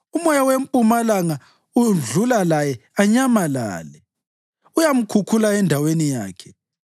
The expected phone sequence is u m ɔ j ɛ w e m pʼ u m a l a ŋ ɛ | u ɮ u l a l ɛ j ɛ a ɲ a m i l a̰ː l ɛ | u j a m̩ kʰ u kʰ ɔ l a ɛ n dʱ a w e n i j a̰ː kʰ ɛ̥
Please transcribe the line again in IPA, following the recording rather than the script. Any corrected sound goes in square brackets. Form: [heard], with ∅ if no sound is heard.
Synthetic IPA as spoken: u m ɔ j [a] w e m pʼ u m a l a ŋ [a] | u ɮ u l a l [a] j ɛ a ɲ a m [a] l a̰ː l ɛ | u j a m̩ kʰ u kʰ [u] l a ɛ n dʱ a w e n i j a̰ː kʰ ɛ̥